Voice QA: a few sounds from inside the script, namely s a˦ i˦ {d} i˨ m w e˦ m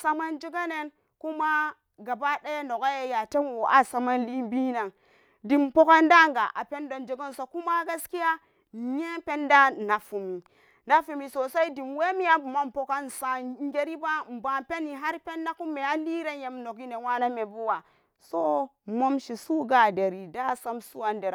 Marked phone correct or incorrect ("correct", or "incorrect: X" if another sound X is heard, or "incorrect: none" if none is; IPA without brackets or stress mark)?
correct